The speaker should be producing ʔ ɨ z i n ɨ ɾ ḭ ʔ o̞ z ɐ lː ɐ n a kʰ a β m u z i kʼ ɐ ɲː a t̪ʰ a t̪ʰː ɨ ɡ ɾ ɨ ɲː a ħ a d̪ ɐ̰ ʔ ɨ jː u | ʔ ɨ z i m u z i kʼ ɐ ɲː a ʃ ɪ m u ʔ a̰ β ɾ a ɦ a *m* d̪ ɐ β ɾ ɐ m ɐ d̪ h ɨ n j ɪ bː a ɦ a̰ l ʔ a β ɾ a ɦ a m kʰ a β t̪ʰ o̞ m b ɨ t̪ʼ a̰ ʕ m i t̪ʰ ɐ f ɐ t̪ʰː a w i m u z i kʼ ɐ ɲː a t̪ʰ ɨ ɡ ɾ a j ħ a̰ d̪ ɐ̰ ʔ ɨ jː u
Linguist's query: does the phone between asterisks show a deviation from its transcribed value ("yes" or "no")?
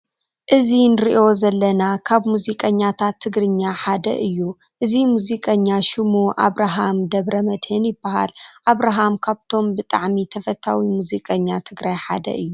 no